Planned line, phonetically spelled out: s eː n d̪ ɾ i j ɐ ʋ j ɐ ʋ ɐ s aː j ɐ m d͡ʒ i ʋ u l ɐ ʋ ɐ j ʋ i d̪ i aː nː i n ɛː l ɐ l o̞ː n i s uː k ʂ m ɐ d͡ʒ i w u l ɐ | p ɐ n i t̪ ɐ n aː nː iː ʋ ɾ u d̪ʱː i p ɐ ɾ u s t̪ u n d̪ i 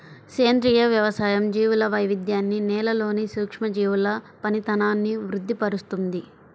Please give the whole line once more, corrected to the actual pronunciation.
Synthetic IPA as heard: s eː n d̪ ɾ i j ɐ ʋ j ɐ ʋ ɐ s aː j ɐ m d͡ʒ iː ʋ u l ɐ ʋ ɐ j ʋ i d̪ j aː nː i n ɛː l ɐ l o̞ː n i s uː k ʂ m ɐ d͡ʒ iː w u l ɐ | p ɐ n i t̪ ɐ n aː nː i ʋ ɾ u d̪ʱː i p ɐ ɾ u s t̪ u n d̪ i

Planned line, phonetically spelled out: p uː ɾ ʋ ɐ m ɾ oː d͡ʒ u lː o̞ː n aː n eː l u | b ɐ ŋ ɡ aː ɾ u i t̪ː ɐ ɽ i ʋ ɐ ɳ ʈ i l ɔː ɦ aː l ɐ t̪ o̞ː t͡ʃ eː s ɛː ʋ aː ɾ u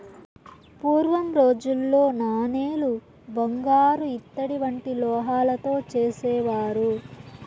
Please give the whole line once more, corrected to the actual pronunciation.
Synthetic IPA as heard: p uː ɾ ʋ ɐ m ɾ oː d͡ʒ u lː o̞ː n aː n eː l u | b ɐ ŋ ɡ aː ɾ u i t̪ː ɐ ɽ i ʋ ɐ ɳ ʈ i l ɔː ɦ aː l ɐ t̪ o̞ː t͡ʃ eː s ɛː ʋ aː ɾ u

